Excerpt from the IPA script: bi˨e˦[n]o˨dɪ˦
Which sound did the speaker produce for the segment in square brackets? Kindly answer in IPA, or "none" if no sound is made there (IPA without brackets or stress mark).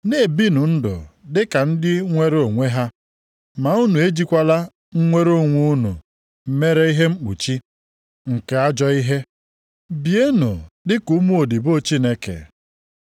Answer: n